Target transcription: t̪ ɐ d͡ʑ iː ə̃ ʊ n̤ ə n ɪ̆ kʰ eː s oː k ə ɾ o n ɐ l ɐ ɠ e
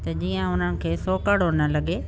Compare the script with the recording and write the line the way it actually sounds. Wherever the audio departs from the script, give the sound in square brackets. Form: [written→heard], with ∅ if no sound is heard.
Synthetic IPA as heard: t̪ ɐ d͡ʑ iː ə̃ ʊ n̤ ə n ɪ̆ kʰ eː s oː k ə [ɾ→ɽ] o n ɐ l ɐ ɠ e